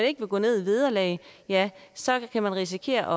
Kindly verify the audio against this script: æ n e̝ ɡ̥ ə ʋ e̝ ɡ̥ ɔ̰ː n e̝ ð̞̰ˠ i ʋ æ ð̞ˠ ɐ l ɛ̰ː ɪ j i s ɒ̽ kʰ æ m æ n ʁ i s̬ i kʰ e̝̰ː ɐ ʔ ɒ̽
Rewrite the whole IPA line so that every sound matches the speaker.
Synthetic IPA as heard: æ n e̝ ɡ̥ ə ʋ e̝ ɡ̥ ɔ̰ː n e̝ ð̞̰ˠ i ʋ i ð̞ˠ ɐ l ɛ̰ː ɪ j æ s ɒ̽ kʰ æ m æ n ʁ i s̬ i kʰ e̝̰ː ɐ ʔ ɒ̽